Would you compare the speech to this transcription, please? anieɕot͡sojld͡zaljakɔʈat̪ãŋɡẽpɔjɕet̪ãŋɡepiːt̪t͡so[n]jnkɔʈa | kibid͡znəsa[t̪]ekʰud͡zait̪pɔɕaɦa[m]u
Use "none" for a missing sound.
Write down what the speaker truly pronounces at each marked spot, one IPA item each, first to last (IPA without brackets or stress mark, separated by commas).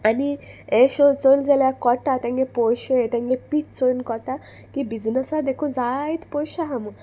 none, d̪, m